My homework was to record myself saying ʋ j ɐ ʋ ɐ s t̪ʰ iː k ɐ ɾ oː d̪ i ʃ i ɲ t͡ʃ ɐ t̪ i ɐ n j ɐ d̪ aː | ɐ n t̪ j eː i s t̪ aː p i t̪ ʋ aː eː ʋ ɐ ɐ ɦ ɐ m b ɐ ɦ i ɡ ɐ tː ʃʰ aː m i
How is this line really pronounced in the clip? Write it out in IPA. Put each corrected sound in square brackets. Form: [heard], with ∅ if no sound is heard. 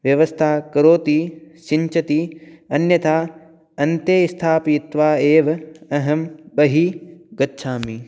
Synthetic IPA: ʋ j ɐ ʋ ɐ s t̪ʰ [aː] k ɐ ɾ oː [t̪] i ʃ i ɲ t͡ʃ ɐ t̪ i ɐ n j ɐ [t̪] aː | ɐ n t̪ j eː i s [t̪ʰ] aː p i t̪ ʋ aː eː ʋ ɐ ɐ ɦ ɐ m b ɐ ɦ i ɡ ɐ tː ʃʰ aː m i